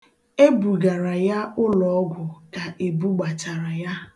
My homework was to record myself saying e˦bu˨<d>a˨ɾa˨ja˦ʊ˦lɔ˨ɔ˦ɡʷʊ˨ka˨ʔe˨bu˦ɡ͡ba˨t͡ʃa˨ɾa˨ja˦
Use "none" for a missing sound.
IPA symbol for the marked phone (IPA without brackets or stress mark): ɡ